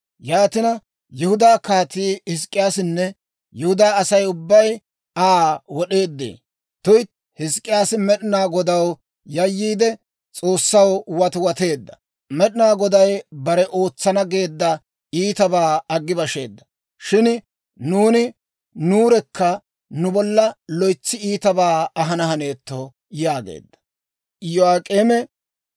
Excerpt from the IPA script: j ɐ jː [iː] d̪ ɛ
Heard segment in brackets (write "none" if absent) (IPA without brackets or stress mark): iː